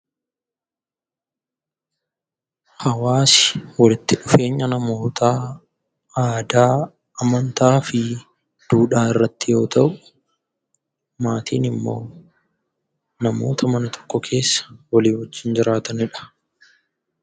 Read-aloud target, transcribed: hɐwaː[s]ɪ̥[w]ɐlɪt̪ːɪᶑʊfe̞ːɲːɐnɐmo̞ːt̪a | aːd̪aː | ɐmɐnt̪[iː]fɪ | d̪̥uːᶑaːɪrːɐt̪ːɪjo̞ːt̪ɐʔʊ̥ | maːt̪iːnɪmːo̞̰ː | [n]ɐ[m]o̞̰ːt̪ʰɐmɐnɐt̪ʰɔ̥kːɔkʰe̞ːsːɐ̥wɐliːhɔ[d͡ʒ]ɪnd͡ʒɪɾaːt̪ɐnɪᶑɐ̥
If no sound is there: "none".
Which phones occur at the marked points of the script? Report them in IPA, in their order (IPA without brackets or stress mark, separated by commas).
s, w, aː, n, m, d͡ʒː